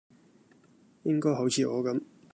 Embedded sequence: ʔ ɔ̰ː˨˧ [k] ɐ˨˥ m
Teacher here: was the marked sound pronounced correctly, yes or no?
yes